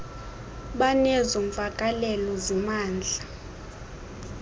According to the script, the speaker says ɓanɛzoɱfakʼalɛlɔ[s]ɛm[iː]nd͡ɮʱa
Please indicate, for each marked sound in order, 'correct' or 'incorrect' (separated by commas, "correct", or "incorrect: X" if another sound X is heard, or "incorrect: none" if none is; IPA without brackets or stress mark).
incorrect: z, incorrect: aː